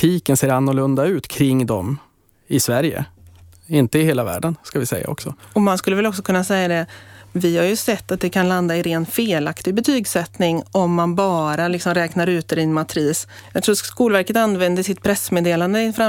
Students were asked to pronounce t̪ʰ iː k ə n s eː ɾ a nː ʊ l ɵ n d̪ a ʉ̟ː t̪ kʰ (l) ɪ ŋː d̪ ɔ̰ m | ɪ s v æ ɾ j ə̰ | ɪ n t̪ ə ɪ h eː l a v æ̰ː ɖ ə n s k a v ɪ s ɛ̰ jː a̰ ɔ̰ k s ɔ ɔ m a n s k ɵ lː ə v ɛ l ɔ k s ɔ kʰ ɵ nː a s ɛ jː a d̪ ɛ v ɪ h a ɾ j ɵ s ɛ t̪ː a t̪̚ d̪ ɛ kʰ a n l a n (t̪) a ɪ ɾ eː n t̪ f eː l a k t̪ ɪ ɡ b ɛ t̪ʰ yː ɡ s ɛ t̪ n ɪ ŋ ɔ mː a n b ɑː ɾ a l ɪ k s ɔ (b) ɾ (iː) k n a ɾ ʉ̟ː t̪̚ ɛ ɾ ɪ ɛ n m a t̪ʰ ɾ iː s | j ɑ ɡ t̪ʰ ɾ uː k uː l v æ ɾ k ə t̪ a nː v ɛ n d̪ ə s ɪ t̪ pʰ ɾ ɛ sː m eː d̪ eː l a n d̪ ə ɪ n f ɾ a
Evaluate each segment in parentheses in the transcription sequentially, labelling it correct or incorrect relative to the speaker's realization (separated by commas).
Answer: incorrect, incorrect, incorrect, incorrect